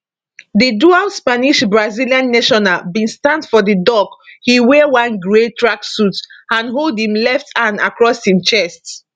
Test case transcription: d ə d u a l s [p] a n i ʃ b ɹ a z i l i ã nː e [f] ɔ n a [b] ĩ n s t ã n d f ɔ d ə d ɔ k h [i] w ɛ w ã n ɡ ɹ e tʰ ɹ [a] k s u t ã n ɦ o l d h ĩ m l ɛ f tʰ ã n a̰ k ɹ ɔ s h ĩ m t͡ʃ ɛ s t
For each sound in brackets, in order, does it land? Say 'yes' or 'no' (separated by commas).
yes, no, yes, yes, yes